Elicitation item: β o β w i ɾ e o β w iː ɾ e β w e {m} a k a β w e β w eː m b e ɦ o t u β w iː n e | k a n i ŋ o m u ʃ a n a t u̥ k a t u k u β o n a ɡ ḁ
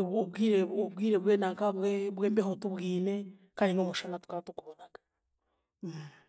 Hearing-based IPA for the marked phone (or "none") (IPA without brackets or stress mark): n